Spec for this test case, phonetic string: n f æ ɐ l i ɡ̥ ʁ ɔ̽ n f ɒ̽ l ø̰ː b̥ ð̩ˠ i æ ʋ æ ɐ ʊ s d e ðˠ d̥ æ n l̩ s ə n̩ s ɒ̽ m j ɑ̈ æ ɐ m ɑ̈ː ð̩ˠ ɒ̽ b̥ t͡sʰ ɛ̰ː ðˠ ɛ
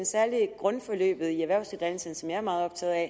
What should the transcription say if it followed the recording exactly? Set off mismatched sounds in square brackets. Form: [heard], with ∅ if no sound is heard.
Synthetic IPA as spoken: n [s] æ ɐ l i ɡ̥ ʁ ɔ̽ n f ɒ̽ l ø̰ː b̥ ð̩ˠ i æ ʋ æ ɐ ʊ s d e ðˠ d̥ æ n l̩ s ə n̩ s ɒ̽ m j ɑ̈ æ ɐ m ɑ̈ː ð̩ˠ ɒ̽ b̥ t͡sʰ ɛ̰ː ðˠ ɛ